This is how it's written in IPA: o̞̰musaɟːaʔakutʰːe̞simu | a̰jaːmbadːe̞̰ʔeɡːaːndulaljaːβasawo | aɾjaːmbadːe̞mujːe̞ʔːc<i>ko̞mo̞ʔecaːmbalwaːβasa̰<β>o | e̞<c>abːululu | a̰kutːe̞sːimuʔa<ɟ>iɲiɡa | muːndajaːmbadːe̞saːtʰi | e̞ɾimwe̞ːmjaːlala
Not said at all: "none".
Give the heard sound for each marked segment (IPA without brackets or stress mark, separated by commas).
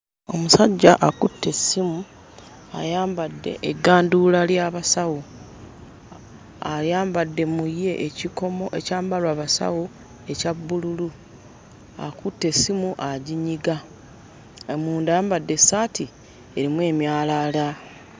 i, w, c, ɟ